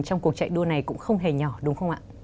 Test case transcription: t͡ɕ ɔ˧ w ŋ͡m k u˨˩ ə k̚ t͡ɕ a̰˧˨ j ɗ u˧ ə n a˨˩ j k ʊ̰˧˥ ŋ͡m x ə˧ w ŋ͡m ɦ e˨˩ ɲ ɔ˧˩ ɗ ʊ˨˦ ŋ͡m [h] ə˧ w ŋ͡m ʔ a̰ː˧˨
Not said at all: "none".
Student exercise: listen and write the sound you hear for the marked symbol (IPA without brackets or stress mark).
x